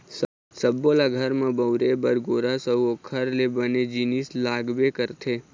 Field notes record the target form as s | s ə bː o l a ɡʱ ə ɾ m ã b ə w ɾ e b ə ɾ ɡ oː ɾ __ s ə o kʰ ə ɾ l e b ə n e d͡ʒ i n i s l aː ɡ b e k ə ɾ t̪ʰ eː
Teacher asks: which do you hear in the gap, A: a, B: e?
A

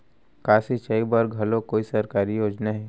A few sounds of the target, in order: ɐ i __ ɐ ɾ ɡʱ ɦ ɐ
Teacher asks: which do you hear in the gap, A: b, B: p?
A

